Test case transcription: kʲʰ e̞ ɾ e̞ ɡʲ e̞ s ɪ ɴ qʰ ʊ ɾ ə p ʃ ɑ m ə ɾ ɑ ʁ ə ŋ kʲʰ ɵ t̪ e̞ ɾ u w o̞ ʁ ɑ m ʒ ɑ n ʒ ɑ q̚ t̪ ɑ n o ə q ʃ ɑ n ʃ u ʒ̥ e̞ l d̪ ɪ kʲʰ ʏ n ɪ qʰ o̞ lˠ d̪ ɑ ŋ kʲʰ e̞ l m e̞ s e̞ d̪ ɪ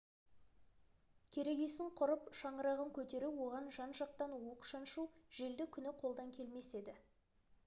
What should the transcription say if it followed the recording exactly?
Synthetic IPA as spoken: kʲʰ e̞ ɾ e̞ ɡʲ e̞ s ɪ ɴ qʰ ʊ ɾ ə p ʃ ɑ ɴ ə ɾ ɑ ʁ ə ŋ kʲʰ ɵ t̪ e̞ ɾ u w o̞ ʁ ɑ n ʒ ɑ n ʒ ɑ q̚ t̪ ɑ n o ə q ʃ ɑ n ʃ u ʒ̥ e̞ l d̪ ɪ kʲʰ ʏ n ɪ qʰ o̞ lˠ d̪ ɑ ŋ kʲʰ e̞ l m e̞ s e̞ d̪ ɪ